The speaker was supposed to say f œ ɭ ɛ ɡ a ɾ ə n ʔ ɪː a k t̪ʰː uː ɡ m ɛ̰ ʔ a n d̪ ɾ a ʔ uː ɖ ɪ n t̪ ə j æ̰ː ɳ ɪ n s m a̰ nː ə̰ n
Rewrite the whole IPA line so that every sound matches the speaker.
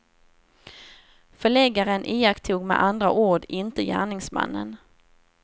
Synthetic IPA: f œ ɭ ɛ ɡ a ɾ ə n ʔ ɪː a k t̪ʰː uː ɡ m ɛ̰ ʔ a n d̪ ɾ a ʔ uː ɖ ɪ n t̪ ə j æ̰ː ɳ ɪ ŋ s m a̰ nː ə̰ n